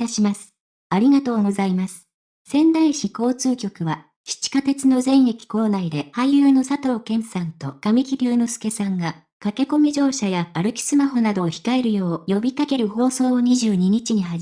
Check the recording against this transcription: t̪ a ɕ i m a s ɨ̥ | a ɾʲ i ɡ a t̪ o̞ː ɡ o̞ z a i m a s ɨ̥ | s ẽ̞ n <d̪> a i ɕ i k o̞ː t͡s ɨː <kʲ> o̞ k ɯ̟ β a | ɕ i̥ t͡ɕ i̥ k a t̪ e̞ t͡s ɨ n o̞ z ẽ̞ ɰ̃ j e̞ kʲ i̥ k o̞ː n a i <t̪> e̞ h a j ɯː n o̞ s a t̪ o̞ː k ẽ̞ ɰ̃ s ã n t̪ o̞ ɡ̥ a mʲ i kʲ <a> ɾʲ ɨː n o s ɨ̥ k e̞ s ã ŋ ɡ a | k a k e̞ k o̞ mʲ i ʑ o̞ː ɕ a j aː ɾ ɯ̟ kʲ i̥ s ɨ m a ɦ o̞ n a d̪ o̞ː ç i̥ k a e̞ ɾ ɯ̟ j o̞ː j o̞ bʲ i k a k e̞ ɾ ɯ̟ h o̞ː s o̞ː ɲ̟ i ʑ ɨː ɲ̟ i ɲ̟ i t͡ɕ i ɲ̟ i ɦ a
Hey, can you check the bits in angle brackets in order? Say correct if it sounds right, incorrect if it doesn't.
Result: correct, correct, incorrect, incorrect

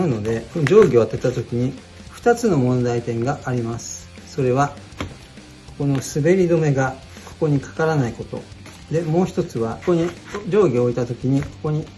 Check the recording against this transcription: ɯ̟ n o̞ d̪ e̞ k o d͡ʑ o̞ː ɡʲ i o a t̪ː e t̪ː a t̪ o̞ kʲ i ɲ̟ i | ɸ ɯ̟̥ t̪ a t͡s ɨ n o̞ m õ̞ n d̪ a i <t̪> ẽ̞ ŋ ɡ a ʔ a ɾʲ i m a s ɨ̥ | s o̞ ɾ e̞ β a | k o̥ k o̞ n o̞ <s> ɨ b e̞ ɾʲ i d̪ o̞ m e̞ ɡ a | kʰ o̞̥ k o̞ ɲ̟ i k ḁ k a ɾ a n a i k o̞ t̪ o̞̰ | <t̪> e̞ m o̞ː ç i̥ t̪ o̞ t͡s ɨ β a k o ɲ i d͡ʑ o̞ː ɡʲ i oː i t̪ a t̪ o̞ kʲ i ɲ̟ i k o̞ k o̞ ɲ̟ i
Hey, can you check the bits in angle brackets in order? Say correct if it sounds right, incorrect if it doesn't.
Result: correct, correct, incorrect

